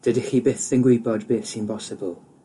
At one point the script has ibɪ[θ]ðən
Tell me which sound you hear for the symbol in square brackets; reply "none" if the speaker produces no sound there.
θ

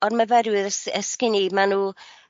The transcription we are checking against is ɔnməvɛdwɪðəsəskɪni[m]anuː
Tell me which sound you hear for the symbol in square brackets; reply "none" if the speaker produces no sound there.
m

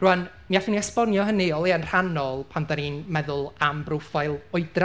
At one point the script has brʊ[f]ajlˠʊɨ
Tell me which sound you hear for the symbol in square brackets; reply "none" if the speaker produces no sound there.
f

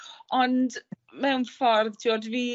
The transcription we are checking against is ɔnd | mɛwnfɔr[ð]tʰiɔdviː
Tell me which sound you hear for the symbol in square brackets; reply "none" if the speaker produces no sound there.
ð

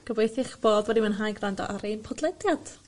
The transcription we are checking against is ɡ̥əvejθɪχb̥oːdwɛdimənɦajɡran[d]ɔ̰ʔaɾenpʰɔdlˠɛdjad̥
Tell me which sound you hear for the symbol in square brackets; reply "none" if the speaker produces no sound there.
d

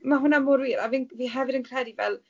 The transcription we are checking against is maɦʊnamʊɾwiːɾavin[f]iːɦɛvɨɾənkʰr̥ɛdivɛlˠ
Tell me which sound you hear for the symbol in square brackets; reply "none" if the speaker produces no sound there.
v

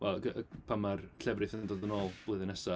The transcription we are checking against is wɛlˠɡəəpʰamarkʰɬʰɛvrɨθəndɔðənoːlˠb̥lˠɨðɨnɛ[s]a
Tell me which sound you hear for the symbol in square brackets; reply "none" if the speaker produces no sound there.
s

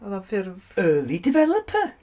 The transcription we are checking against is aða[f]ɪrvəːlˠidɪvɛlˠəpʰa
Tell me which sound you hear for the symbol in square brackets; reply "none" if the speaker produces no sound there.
f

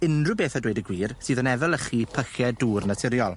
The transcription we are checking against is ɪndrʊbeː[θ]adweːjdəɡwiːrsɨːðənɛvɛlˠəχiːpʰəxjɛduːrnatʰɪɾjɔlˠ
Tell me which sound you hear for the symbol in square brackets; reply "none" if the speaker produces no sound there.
θ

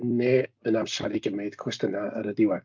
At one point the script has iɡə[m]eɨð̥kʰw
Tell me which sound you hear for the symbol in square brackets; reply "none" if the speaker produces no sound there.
m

